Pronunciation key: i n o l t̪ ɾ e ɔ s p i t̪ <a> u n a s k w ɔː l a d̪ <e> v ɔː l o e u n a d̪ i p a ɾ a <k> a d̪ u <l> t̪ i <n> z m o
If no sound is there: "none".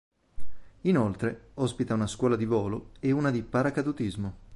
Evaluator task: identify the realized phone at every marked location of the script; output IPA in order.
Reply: a, i, k, none, none

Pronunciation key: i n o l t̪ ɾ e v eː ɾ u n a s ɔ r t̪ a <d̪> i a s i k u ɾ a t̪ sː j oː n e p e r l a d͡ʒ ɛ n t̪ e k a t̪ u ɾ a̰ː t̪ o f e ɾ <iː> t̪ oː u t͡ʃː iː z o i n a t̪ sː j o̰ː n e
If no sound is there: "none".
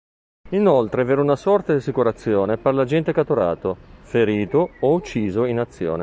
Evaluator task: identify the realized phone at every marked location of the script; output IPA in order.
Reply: d̪, iː

